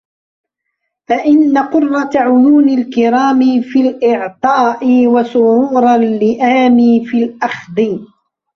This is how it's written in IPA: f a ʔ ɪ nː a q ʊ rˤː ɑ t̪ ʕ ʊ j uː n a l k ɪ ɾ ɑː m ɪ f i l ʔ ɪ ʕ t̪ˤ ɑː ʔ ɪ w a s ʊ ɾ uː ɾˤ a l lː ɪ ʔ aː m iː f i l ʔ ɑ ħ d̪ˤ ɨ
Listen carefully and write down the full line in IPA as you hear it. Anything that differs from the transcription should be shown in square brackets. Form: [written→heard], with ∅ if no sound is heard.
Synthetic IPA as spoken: f a ʔ ɪ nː a q ʊ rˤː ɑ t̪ ʕ ʊ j uː n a l k ɪ ɾ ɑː m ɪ f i l ʔ ɪ ʕ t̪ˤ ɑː ʔ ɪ w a s ʊ ɾ uː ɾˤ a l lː ɪ ʔ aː m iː f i l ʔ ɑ [ħ→x] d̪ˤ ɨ